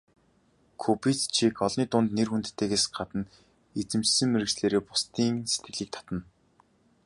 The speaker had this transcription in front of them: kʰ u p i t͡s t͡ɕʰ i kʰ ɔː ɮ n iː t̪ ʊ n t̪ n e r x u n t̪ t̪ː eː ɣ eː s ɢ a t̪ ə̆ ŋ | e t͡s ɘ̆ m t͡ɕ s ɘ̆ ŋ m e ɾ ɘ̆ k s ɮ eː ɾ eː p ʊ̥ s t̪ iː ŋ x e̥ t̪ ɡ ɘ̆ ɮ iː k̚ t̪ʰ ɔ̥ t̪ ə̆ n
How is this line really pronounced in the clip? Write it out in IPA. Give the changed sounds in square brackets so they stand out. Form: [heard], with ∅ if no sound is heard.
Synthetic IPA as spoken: kʰ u p i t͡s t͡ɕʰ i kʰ [ɔ] ɮ n iː t̪ ʊ n t̪ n e r x u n t̪ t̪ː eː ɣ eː s ɢ a t̪ ə̆ [n] | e t͡s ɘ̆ m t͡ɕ s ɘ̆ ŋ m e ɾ ɘ̆ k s ɮ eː ɾ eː p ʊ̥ s t̪ iː ŋ [s] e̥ t̪ ɡ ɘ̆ ɮ iː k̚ t̪ʰ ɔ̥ t̪ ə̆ n